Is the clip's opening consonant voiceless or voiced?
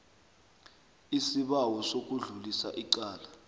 voiceless